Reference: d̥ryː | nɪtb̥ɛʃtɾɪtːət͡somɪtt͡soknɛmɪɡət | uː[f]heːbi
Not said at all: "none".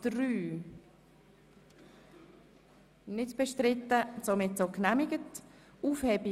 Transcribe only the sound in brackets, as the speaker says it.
f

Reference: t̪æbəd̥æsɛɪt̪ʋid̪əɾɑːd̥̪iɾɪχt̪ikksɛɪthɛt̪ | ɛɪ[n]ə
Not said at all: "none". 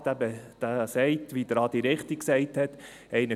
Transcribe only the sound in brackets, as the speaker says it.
n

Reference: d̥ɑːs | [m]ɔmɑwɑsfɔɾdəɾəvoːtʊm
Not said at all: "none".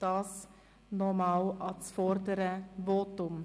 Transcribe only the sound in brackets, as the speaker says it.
n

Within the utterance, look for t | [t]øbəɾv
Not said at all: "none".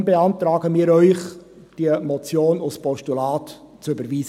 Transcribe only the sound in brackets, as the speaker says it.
t͡s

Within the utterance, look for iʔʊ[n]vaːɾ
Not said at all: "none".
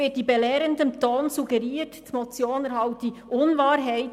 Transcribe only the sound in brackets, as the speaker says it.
n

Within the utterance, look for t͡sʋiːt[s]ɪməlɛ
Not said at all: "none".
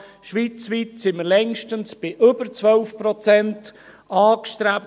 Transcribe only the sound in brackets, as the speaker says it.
s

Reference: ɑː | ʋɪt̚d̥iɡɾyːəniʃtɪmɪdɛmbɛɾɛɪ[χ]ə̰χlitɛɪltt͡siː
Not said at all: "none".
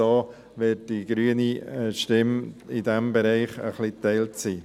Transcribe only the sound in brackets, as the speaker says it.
χ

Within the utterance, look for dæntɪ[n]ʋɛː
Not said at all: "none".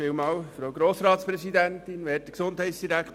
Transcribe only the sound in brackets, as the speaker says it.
n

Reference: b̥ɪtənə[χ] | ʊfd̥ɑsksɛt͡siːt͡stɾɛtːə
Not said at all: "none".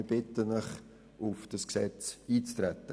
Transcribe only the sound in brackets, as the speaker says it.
χ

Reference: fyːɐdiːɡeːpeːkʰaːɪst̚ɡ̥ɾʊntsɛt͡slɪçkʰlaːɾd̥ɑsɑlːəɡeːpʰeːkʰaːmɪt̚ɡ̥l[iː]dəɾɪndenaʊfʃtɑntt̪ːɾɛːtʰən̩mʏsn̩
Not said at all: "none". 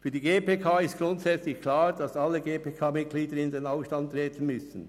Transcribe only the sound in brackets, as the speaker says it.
iː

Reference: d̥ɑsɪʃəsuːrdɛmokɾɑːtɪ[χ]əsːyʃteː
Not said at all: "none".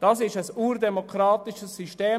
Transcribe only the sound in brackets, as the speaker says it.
ʃ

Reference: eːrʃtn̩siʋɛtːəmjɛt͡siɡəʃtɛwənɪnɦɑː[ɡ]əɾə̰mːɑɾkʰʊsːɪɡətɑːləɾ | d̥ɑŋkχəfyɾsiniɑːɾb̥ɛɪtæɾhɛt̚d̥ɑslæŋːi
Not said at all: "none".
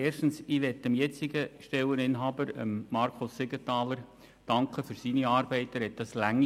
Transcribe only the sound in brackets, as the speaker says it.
b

